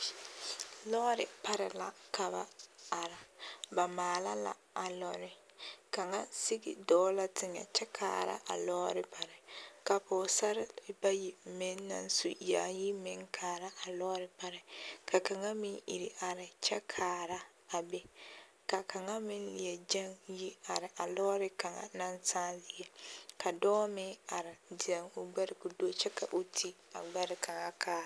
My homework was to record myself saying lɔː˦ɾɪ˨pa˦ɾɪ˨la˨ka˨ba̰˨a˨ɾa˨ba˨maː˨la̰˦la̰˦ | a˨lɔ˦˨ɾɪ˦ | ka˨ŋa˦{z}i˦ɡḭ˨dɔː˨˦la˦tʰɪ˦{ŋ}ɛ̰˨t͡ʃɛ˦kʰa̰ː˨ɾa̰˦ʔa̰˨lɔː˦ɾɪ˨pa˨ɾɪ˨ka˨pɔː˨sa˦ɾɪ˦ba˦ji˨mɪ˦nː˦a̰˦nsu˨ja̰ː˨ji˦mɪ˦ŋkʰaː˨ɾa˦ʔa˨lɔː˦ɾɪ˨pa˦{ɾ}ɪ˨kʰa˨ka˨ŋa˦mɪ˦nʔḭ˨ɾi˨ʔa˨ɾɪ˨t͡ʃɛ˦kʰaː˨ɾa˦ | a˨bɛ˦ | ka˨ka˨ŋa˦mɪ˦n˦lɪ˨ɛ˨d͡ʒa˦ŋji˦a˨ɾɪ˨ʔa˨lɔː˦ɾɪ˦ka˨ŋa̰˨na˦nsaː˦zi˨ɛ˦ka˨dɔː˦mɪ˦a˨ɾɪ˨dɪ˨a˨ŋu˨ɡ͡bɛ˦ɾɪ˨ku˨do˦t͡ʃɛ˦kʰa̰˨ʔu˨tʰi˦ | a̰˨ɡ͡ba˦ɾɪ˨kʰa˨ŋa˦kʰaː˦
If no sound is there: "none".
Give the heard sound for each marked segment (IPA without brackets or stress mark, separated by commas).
s, ŋ, ɾ